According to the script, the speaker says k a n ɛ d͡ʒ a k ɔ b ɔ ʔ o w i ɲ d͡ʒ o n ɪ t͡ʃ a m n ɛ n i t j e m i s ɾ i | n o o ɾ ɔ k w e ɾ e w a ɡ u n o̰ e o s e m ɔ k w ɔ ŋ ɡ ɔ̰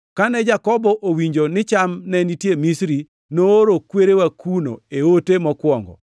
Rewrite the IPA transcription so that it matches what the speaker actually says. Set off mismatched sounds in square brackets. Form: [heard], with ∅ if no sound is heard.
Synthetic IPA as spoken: k a n ɛ d͡ʒ a k ɔ b ɔ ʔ o w i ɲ d͡ʒ o n ɪ t͡ʃ a m n ɛ n i t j e m i s ɾ i | n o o ɾ [o] k w e ɾ e w a [k] u n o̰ e o [t] e m ɔ k w ɔ ŋ ɡ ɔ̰